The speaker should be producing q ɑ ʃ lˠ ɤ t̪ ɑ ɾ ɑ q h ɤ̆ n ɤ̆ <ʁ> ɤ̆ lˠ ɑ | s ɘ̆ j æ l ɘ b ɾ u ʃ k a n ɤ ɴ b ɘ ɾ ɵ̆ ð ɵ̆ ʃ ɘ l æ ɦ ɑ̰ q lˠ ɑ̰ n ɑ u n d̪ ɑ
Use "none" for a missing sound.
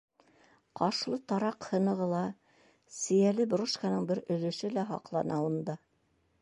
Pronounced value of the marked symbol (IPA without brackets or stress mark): ʁ